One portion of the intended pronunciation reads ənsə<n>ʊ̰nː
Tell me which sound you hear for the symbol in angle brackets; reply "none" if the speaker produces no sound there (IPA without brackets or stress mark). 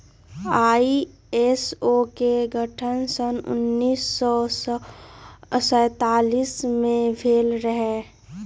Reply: n